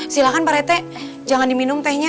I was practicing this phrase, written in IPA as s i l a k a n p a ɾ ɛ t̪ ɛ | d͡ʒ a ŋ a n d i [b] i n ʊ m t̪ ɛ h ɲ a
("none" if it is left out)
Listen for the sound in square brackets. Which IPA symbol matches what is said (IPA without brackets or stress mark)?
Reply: m